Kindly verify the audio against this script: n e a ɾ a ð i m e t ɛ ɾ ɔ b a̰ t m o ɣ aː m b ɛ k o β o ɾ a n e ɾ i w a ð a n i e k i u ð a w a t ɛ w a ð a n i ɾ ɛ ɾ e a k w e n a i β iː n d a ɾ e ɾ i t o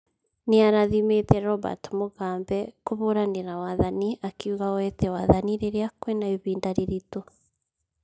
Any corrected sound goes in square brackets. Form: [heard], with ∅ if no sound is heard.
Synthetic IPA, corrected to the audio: n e a ɾ a ð i m e t ɛ ɾ ɔ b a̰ t m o ɣ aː m b ɛ k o β o ɾ a n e ɾ [a] w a ð a n i [a] k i u [ɣ] a w [ɛ] t ɛ w a ð a n i ɾ [e] ɾ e a k w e n a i β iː n d a ɾ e ɾ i t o